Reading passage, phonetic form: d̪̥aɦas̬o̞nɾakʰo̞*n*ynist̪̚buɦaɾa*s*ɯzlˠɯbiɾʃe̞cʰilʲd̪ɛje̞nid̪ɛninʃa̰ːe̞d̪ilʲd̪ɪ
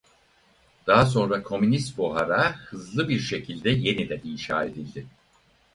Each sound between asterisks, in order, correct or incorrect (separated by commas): incorrect, incorrect